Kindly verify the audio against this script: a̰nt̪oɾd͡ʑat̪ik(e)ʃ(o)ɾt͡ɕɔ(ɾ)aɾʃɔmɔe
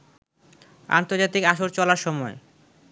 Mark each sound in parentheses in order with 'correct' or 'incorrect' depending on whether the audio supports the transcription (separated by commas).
incorrect, correct, incorrect